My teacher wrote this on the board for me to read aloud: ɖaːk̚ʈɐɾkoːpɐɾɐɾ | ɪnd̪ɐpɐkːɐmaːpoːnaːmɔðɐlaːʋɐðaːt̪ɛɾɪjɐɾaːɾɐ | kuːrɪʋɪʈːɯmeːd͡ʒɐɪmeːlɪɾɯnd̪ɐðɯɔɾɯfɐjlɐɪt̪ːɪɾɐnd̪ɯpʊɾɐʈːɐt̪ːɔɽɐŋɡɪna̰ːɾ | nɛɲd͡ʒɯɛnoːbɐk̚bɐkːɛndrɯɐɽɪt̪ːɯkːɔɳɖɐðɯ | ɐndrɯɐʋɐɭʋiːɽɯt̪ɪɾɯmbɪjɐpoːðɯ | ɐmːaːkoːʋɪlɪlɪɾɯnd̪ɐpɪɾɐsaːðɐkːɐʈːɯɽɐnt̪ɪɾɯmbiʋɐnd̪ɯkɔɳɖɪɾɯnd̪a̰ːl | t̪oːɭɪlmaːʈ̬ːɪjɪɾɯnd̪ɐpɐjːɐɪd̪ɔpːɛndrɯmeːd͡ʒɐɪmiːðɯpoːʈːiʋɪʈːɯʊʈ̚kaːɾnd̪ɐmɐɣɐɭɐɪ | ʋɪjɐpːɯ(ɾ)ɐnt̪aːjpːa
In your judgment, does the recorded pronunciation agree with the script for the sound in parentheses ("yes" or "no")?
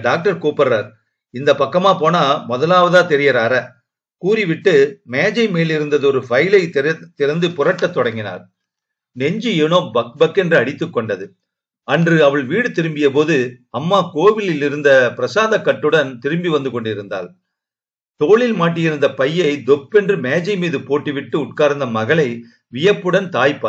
no